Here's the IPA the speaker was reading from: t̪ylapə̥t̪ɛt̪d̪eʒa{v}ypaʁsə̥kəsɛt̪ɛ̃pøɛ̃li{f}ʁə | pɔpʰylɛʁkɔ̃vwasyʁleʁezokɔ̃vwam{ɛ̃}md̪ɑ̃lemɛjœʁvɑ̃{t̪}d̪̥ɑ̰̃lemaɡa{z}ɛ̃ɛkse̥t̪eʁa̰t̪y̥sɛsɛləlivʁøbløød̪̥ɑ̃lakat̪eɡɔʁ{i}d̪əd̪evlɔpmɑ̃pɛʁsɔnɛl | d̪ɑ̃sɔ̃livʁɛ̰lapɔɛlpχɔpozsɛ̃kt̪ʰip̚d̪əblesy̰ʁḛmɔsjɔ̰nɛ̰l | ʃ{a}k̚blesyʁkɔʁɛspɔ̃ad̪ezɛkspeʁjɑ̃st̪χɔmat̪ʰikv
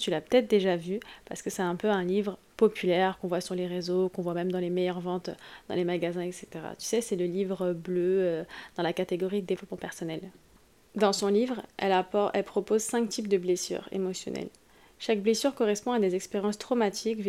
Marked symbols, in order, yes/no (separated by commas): yes, no, no, yes, yes, yes, yes